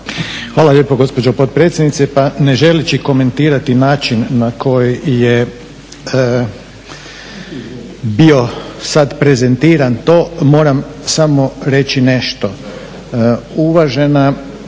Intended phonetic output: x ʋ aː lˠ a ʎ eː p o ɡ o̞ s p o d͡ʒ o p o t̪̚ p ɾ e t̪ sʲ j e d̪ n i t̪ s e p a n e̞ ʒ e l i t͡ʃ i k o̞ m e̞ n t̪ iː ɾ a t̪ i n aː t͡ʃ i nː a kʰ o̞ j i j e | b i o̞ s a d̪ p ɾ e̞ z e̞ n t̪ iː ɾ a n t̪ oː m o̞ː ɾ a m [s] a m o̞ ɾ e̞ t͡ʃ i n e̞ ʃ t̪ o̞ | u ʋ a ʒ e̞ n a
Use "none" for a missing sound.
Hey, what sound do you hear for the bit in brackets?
s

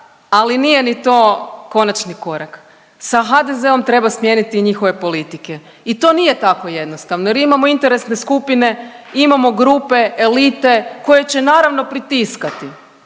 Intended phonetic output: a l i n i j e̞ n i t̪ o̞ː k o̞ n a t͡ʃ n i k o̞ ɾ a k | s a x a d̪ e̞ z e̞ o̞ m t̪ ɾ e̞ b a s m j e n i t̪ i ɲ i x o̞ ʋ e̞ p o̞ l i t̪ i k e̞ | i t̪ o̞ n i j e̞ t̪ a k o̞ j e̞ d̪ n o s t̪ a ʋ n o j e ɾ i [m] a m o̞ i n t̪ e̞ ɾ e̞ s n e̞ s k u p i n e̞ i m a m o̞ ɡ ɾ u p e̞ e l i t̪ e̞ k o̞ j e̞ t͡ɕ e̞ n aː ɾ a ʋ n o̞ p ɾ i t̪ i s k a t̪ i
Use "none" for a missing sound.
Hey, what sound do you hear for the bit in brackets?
m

